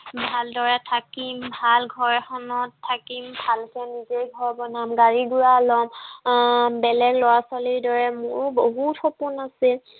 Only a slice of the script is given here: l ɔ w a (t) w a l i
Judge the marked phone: incorrect: s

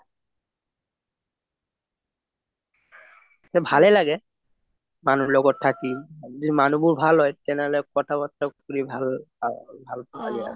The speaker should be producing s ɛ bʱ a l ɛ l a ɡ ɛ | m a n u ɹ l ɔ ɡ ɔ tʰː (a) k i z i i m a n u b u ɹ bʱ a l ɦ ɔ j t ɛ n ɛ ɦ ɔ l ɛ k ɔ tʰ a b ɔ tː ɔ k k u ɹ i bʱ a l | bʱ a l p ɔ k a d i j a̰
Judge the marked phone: correct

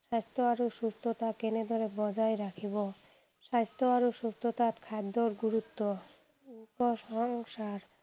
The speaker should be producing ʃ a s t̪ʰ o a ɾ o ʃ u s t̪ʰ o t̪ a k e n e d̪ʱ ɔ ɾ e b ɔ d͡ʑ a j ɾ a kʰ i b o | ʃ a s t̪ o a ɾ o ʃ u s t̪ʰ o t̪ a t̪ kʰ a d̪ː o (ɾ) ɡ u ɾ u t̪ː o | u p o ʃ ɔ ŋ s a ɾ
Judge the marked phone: correct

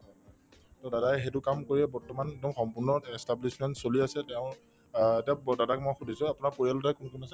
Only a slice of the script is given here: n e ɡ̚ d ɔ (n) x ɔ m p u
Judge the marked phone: incorrect: m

